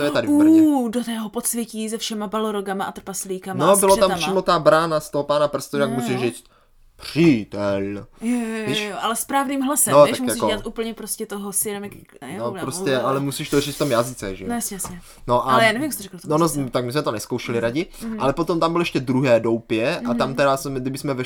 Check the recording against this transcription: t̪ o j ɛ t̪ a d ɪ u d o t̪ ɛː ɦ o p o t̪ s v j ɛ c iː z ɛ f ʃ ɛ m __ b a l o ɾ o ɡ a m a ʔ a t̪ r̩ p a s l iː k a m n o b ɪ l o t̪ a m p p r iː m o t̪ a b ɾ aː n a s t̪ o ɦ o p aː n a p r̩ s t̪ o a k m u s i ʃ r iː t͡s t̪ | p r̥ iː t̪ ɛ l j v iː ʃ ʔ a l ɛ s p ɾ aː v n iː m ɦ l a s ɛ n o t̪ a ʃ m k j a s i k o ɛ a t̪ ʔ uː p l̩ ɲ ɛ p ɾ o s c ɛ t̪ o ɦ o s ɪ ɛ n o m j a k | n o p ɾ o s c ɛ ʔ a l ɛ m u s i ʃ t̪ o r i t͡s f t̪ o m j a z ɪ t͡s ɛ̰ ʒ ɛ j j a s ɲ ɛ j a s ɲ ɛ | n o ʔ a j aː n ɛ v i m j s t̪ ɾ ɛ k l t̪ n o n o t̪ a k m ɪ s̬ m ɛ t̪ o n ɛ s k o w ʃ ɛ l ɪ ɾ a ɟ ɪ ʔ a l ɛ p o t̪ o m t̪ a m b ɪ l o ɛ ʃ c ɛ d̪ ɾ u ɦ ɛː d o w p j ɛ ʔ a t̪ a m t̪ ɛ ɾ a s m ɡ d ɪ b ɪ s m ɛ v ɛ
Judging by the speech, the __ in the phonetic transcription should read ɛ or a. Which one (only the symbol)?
a